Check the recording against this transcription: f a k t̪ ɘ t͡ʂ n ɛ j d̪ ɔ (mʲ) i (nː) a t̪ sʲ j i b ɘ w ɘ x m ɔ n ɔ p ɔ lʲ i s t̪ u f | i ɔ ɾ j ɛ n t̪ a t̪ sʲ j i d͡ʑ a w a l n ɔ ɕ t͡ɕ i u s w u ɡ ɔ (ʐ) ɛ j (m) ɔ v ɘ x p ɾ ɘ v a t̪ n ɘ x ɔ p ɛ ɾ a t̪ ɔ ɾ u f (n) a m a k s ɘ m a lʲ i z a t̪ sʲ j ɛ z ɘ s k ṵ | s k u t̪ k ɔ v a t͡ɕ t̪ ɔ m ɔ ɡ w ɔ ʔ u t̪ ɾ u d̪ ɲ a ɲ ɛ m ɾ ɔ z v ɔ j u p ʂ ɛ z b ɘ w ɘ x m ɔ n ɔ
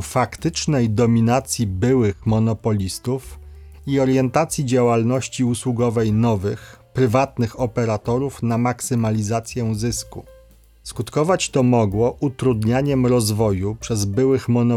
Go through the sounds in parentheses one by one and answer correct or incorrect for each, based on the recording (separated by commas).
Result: correct, incorrect, incorrect, incorrect, correct